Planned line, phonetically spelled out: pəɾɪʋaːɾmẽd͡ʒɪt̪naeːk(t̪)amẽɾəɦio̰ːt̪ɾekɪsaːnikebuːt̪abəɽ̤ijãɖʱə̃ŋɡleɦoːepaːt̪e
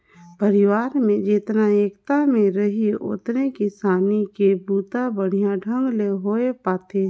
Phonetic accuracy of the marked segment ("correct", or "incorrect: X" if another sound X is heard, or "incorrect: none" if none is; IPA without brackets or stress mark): correct